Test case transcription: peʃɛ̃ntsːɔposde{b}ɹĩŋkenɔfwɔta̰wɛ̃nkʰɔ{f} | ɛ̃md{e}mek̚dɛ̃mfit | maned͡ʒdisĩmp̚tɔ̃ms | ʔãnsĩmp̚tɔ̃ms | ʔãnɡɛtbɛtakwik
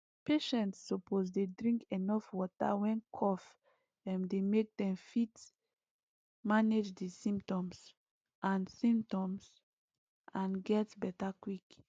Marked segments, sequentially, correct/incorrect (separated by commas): incorrect, correct, correct